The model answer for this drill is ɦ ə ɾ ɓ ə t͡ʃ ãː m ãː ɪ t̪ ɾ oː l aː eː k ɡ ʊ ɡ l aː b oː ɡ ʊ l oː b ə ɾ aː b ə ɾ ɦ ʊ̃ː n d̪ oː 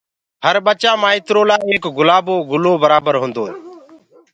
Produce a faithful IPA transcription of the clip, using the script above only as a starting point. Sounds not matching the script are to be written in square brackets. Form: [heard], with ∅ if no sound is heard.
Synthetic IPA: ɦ ə ɾ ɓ ə t͡ʃ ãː m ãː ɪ t̪ ɾ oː l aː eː k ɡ ʊ [∅] l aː b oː ɡ ʊ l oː b ə ɾ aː b ə ɾ ɦ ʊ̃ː n d̪ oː